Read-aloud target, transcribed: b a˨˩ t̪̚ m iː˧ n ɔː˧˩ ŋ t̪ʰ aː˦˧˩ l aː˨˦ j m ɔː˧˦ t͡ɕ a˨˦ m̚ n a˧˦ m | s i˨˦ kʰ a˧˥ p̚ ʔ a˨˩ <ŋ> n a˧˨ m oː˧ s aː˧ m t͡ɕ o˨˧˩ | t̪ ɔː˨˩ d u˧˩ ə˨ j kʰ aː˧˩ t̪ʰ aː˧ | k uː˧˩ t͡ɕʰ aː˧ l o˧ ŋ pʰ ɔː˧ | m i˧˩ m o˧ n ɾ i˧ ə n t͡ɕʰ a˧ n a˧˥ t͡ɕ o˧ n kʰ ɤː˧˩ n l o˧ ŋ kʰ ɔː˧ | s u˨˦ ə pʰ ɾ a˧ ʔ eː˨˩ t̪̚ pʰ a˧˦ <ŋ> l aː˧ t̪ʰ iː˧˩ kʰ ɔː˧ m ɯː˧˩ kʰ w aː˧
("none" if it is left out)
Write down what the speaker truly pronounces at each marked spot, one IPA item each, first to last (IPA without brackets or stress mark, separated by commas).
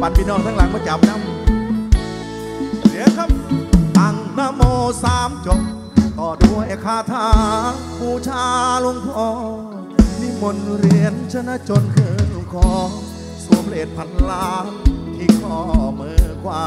ŋ, n